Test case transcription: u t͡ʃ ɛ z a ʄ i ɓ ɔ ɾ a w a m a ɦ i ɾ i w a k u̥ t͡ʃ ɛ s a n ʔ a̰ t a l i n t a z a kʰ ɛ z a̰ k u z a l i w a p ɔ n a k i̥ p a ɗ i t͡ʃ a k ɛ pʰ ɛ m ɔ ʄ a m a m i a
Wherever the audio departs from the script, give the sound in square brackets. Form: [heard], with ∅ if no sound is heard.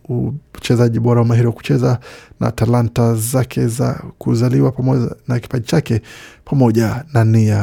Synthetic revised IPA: u t͡ʃ ɛ z a ʄ i ɓ ɔ ɾ a w a m a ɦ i ɾ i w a k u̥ t͡ʃ ɛ [z] a n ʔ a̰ t a l [a] n t a z a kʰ ɛ z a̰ k u z a l i w a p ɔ n a k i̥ p a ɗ i t͡ʃ a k ɛ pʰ [a] m ɔ ʄ a [n] a [n] i a